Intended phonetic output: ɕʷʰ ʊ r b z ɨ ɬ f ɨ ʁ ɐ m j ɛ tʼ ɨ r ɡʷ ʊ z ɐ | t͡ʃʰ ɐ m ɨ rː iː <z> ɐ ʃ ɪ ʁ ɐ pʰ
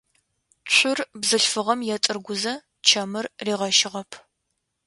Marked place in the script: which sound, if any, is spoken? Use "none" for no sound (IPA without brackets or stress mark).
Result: ʁ